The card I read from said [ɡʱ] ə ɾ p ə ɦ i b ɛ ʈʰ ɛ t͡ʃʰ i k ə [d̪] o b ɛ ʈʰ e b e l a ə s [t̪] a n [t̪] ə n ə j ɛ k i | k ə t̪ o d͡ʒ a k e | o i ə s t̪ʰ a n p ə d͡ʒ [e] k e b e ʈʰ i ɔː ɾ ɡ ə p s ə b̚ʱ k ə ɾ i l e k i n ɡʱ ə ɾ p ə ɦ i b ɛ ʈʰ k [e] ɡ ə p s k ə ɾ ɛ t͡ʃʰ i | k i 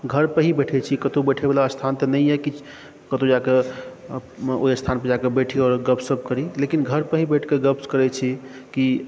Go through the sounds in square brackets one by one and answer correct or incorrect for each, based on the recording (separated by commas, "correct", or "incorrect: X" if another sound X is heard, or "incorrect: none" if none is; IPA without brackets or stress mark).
correct, incorrect: t̪, incorrect: t̪ʰ, correct, incorrect: a, correct